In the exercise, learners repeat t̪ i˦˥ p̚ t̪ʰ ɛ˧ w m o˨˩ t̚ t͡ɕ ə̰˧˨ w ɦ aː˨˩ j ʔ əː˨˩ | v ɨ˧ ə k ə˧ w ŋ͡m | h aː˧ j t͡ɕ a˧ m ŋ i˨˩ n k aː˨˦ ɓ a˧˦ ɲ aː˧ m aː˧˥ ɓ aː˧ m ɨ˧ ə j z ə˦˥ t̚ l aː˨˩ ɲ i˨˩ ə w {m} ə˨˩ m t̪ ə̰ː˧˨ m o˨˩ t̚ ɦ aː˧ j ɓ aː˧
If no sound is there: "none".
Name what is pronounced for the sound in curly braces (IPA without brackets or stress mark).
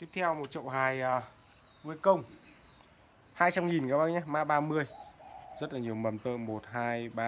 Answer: m